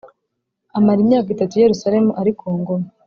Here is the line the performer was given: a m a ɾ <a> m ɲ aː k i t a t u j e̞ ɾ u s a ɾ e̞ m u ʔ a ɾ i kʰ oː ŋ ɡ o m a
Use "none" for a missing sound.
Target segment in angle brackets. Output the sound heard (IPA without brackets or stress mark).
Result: i